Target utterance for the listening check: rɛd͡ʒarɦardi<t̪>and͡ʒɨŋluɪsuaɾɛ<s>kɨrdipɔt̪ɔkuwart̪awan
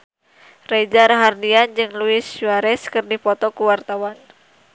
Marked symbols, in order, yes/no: no, yes

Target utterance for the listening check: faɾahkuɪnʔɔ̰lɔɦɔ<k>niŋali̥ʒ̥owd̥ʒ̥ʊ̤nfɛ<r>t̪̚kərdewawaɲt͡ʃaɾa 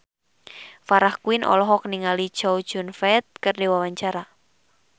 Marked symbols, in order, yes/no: yes, no

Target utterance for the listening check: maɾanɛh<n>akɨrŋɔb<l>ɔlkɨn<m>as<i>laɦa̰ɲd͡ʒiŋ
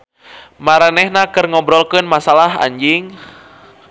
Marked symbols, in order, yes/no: yes, no, yes, no

